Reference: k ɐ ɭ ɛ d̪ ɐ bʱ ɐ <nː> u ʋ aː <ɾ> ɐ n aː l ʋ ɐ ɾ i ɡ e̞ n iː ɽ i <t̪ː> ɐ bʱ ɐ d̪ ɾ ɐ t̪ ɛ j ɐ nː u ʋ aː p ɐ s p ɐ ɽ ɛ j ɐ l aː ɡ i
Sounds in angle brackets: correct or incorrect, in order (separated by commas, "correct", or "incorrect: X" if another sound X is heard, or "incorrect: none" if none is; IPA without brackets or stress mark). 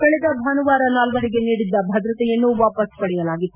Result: incorrect: n, correct, incorrect: d̪ː